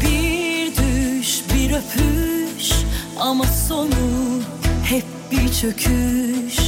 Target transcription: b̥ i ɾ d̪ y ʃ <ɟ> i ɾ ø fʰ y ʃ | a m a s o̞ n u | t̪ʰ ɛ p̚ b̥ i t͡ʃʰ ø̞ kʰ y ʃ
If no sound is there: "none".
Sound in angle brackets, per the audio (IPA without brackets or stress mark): b